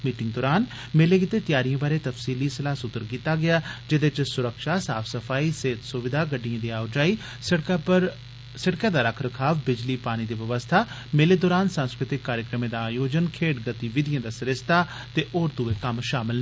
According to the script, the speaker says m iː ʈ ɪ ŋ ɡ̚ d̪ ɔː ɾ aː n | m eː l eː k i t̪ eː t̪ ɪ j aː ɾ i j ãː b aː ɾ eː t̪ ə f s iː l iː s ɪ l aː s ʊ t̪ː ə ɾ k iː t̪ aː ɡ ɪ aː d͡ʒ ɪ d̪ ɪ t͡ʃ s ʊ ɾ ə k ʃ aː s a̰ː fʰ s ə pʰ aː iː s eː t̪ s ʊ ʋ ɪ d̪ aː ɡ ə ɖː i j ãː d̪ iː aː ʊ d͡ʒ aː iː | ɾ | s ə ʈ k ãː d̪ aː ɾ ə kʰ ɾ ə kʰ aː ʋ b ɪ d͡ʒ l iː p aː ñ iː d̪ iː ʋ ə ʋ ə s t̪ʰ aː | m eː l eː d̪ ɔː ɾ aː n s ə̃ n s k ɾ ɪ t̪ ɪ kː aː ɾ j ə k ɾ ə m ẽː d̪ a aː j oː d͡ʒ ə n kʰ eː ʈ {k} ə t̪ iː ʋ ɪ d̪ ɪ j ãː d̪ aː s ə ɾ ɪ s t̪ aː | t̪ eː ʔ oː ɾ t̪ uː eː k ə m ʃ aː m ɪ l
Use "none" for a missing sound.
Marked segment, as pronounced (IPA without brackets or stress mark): ɡ